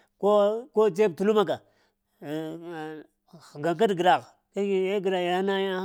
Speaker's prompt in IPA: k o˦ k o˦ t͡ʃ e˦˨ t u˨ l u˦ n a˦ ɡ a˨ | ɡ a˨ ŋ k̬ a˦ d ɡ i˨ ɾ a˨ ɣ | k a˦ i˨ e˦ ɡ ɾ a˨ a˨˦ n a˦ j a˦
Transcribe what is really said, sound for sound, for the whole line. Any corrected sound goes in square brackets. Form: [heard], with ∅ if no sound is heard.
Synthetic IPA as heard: k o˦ k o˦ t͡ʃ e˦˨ t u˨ l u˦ [m] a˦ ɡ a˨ | ɡ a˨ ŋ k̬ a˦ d ɡ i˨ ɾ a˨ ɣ | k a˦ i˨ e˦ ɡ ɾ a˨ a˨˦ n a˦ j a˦